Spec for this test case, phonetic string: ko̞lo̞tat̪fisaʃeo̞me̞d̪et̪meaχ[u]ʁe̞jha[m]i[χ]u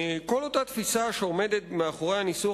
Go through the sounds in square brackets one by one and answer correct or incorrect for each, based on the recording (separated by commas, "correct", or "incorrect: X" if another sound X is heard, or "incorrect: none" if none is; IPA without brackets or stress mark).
incorrect: o, incorrect: n, incorrect: s